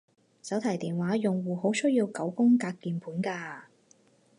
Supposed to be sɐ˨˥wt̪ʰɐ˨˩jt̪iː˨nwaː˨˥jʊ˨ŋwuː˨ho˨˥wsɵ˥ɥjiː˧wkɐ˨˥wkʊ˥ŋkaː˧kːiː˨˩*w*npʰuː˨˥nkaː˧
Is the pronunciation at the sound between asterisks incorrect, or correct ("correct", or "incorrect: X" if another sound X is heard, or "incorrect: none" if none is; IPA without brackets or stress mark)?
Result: incorrect: none